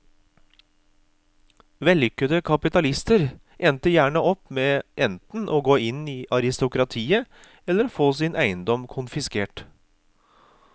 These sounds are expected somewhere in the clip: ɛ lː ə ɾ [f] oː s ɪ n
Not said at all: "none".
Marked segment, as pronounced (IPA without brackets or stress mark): f